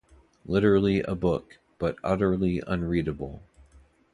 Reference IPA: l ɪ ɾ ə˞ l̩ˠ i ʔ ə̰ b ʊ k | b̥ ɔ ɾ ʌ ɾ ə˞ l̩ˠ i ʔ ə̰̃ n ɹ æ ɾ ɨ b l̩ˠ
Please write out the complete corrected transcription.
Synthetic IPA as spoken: l ɪ ɾ ə˞ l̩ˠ i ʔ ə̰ b ʊ k | b̥ ʌ ɾ ʌ ɾ ə˞ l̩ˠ i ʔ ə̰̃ n ɹ i ɾ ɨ b l̩ˠ